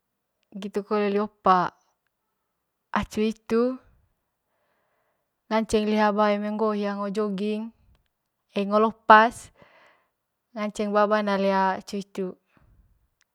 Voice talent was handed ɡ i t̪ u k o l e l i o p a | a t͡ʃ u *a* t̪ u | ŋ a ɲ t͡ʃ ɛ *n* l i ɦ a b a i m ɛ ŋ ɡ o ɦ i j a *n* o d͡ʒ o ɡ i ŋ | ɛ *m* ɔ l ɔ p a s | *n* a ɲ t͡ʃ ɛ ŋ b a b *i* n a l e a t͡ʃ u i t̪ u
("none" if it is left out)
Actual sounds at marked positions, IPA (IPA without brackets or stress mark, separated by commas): i, ŋ, ŋ, ŋ, ŋ, a